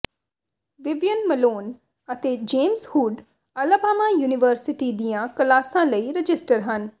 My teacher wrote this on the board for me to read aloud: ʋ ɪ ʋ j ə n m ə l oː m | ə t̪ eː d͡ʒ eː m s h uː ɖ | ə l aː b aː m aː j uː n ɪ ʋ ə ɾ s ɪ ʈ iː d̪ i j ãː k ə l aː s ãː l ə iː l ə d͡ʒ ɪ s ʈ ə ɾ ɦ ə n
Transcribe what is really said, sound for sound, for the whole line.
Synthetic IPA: ʋ ɪ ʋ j ə n m ə l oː n | ə t̪ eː d͡ʒ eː m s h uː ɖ | ə l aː b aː m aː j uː n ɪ ʋ ə ɾ s ɪ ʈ iː d̪ i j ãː k ə l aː s ãː l ə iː ɾ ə d͡ʒ ɪ s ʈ ə ɾ ɦ ə n